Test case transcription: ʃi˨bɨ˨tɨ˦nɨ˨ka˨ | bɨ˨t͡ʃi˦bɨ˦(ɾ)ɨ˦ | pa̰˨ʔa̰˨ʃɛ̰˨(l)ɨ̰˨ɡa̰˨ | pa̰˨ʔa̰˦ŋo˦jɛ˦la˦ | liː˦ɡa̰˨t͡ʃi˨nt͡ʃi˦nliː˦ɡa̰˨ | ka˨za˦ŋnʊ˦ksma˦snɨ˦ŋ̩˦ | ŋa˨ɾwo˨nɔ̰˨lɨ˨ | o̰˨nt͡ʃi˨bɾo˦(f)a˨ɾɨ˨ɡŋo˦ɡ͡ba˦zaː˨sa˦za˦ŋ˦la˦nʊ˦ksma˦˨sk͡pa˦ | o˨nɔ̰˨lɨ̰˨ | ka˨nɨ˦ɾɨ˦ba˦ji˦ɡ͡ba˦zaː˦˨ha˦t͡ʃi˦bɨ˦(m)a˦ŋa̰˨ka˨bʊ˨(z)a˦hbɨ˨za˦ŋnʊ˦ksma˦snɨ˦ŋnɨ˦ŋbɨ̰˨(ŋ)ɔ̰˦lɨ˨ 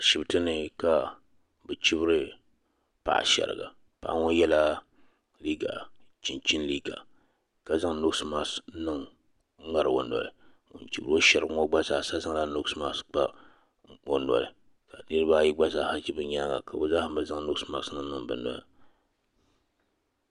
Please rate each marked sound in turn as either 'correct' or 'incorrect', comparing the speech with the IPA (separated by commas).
correct, incorrect, incorrect, incorrect, correct, incorrect